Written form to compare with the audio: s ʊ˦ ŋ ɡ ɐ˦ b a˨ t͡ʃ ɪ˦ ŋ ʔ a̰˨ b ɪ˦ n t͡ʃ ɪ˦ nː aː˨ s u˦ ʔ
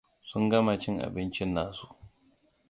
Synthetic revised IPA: s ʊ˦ ŋ ɡ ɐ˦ m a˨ t͡ʃ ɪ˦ ŋ ʔ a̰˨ b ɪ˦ n t͡ʃ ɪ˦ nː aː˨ s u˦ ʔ